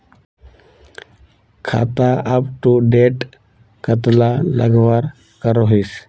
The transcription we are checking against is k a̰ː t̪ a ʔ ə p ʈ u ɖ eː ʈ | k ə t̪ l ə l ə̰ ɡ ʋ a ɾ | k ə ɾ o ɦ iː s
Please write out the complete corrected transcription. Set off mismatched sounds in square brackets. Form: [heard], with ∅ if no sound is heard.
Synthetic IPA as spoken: [kʰ] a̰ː t̪ a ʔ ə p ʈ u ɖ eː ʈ | k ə t̪ l [a] l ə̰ ɡ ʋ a ɾ | k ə ɾ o ɦ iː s